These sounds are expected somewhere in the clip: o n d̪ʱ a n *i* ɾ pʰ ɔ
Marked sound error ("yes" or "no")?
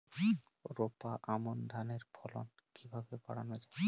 yes